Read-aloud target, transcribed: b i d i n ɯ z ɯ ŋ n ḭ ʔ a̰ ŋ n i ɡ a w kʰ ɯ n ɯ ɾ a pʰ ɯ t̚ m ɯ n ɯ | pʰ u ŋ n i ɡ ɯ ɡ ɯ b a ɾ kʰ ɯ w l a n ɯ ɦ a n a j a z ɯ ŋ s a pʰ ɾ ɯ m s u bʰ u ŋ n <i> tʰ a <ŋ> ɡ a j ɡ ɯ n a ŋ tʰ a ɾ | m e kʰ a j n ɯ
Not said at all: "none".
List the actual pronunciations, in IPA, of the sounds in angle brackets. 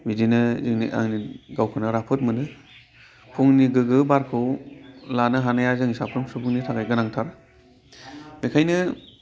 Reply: i, none

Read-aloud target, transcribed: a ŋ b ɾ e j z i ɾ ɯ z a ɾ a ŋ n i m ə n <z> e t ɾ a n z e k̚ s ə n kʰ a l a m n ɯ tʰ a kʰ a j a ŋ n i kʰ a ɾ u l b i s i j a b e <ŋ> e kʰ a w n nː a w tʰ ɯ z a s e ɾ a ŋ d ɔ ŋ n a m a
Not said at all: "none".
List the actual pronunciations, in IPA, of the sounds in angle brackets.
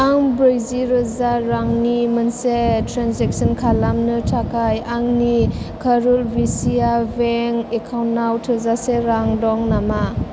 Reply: s, ŋ

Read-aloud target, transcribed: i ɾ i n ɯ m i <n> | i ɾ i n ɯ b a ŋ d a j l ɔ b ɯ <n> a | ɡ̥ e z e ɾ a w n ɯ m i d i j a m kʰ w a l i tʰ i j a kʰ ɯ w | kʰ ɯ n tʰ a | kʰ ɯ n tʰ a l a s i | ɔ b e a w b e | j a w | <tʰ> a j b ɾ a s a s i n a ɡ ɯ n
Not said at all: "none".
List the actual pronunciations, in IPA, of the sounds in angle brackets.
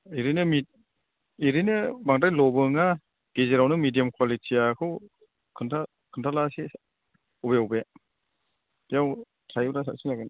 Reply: none, ŋ, tʰ

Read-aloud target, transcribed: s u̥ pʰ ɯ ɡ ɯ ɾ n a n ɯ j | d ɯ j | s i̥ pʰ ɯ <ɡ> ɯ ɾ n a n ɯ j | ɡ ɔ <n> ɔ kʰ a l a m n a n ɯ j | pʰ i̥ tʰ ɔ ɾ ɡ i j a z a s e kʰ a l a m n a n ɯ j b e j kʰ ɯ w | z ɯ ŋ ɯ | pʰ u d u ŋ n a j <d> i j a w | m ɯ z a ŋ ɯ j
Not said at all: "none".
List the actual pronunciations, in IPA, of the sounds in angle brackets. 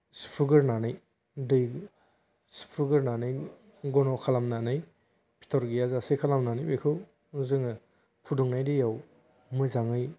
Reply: ɡ, n, d

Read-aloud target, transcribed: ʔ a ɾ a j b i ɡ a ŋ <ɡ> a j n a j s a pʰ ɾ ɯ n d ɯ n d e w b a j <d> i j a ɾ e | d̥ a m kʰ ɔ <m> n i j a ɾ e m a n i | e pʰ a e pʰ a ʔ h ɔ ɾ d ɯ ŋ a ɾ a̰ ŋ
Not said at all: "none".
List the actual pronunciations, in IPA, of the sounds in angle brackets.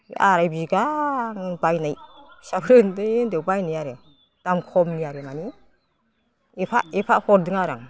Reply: b, n, m

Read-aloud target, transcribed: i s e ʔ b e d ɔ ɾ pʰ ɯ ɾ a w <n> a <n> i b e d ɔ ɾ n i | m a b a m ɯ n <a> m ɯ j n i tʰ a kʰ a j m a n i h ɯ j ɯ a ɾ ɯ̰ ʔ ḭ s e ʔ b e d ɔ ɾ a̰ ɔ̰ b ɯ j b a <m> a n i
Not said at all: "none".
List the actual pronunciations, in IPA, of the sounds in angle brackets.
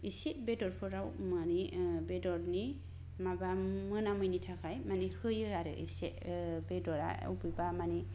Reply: m, n, a, m

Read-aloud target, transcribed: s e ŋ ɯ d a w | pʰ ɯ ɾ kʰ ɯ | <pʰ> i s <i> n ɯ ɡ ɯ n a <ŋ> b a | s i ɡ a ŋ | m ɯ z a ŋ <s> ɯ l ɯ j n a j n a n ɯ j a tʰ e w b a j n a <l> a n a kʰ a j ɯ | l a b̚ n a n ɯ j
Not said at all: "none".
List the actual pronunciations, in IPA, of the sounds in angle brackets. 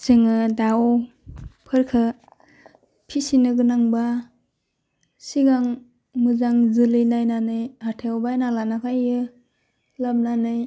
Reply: pʰ, i, ŋ, z, l

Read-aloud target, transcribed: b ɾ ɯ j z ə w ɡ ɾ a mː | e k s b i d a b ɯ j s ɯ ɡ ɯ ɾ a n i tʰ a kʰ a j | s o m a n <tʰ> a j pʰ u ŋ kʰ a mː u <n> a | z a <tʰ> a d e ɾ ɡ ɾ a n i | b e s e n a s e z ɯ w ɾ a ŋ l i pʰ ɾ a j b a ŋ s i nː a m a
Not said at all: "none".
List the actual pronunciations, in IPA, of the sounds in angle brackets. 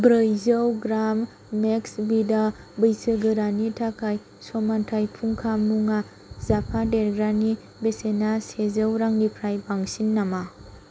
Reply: tʰ, ŋ, pʰ

